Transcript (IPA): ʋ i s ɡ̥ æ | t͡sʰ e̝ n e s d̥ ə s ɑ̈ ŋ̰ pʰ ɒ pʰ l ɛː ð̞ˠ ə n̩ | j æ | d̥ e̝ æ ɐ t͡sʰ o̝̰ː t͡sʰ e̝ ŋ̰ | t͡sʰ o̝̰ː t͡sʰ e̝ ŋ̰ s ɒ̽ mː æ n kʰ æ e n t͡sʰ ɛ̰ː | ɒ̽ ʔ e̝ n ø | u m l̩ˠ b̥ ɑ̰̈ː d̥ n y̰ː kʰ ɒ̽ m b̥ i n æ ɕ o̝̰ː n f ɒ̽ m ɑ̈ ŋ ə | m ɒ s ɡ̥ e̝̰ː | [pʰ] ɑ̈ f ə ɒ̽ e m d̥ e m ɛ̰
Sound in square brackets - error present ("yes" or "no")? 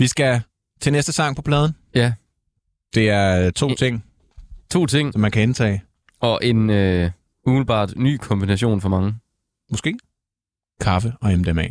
yes